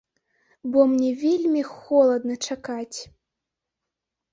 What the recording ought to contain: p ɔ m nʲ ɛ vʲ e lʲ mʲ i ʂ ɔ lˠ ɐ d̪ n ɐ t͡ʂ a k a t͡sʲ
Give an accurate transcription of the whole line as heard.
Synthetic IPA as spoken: b ɔ m nʲ ɛ vʲ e lʲ mʲ i x ɔ lˠ ɐ d̪ n ɐ t͡ʂ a k a t͡sʲ